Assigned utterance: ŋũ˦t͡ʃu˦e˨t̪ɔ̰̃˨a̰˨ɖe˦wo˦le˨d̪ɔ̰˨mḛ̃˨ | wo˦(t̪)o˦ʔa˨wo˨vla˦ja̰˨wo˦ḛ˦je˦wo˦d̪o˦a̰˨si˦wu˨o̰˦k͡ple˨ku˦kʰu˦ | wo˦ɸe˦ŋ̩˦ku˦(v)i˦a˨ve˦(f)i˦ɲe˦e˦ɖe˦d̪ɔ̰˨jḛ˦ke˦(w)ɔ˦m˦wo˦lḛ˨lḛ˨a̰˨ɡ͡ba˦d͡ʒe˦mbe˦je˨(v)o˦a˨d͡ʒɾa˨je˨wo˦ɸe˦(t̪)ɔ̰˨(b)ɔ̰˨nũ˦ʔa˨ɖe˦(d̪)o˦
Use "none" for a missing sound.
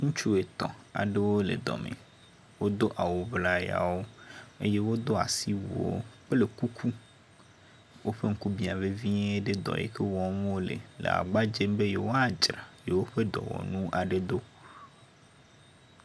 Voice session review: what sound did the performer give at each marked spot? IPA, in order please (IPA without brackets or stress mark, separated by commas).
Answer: d̪, b, v, w, w, d̪, w, d̪